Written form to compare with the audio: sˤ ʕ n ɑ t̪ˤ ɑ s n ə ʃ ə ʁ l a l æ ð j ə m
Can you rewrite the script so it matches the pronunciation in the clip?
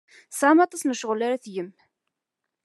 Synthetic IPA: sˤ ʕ m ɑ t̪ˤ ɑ s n ə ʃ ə ʁ l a ɾ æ θ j ə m